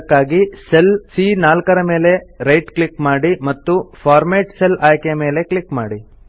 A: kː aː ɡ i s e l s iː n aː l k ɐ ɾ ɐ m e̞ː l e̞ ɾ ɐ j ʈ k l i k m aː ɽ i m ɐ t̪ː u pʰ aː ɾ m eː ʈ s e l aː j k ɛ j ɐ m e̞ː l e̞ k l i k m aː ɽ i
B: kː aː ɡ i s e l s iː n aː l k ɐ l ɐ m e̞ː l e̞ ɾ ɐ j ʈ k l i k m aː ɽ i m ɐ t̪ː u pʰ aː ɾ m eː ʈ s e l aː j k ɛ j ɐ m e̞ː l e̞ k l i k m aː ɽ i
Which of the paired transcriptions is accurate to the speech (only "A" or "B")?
A